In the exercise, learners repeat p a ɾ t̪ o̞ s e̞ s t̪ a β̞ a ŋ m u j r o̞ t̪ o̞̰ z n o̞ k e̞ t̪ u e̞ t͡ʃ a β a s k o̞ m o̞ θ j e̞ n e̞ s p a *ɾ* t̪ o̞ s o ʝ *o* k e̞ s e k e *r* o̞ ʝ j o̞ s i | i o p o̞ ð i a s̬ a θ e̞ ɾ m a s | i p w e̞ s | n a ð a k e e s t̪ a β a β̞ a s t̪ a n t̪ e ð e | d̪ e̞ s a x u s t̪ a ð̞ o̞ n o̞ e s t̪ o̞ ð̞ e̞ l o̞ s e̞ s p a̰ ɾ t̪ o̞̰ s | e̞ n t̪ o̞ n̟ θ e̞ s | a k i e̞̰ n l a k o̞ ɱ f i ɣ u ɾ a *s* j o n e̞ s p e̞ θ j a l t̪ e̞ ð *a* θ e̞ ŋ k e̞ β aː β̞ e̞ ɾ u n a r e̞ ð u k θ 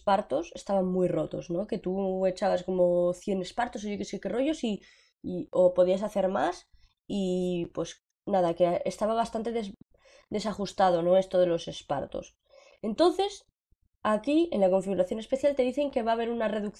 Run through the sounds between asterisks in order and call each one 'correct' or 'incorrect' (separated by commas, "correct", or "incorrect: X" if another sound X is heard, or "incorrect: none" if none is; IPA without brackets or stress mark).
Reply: correct, correct, correct, incorrect: θ, incorrect: i